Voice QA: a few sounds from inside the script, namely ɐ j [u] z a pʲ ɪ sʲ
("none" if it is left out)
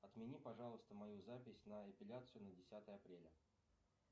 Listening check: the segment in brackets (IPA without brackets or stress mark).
u